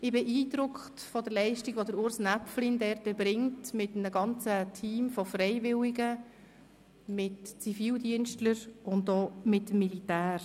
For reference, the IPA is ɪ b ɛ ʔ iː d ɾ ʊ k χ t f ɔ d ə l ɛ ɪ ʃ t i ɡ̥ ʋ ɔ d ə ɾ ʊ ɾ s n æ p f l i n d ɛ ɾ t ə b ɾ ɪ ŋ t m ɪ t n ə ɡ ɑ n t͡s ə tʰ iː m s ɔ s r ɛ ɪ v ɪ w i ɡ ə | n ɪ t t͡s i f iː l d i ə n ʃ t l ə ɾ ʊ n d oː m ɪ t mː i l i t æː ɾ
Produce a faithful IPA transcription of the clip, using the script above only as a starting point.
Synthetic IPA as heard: ɪ b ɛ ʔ iː d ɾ ʊ k χ t f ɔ d ə l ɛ ɪ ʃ t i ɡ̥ ʋ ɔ d ə ɾ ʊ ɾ s n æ p f l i n d ɛ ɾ t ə b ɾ ɪ ŋ t m ɪ t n ə ɡ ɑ n t͡s ə tʰ iː m f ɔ f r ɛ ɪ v ɪ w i ɡ ə | m ɪ t t͡s i f iː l d i ə n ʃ t l ə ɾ ʊ n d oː m ɪ t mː i l i t æː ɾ